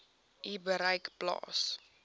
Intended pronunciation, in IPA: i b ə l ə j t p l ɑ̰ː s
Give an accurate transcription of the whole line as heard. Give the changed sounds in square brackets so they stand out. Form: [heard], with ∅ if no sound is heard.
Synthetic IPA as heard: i b ə [ɾ] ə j [k] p l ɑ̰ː s